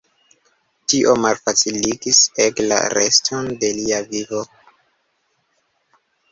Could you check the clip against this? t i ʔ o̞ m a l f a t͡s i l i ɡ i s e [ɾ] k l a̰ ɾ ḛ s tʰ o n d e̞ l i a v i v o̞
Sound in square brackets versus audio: incorrect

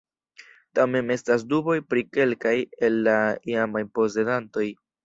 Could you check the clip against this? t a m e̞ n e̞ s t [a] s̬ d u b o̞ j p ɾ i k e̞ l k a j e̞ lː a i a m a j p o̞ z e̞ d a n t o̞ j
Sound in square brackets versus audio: correct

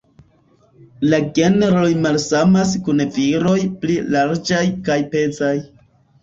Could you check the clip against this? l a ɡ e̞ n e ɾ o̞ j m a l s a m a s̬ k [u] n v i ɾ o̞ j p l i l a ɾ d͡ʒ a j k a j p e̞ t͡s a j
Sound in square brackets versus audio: correct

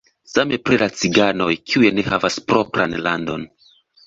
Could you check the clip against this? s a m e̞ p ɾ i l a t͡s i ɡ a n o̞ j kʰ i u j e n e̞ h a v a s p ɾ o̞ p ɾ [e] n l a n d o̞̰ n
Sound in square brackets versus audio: incorrect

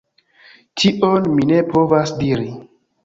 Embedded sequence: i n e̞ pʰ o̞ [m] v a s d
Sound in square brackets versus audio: incorrect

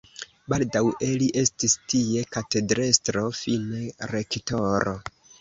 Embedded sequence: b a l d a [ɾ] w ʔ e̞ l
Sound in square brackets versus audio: incorrect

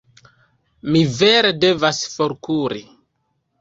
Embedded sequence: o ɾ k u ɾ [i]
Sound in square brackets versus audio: correct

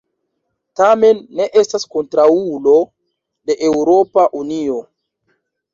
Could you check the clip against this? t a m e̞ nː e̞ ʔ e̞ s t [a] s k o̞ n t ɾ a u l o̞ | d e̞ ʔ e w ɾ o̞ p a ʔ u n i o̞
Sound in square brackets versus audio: correct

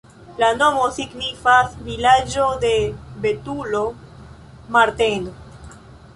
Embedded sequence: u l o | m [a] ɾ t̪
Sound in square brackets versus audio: correct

